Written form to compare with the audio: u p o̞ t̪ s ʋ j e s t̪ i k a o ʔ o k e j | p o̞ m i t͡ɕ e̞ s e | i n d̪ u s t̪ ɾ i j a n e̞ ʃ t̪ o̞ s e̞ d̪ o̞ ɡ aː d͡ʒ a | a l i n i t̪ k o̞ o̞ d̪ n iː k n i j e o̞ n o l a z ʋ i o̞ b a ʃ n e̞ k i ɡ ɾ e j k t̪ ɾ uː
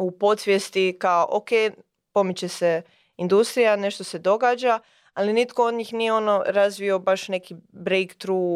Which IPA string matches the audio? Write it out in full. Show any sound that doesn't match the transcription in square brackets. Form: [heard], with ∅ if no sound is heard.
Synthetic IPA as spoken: u p o̞ t̪ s ʋ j e s t̪ i k a o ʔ o k e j | p o̞ m i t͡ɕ e̞ s e | i n d̪ u s t̪ ɾ i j a n e̞ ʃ t̪ o̞ s e̞ d̪ o̞ ɡ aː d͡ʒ a | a l i n i t̪ k o̞ o̞ d̪ [ɲ] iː [x] n i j e o̞ n o [ɾ] a z ʋ i o̞ b a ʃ n e̞ k i [b] ɾ e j k t̪ ɾ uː